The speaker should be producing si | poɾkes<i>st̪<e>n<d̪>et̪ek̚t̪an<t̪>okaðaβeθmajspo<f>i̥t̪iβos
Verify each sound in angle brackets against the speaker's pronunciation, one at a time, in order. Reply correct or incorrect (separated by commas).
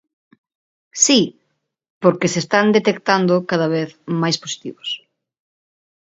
incorrect, incorrect, correct, incorrect, incorrect